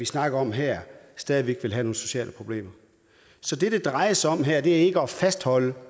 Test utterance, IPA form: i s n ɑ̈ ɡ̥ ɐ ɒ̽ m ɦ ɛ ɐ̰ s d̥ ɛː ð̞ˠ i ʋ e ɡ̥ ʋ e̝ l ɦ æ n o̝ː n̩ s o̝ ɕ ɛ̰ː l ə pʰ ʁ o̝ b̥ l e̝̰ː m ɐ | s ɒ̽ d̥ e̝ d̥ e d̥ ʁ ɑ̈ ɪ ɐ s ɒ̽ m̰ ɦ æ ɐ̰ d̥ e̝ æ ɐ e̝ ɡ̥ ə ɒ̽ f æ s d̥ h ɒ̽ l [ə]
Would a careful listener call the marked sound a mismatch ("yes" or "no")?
no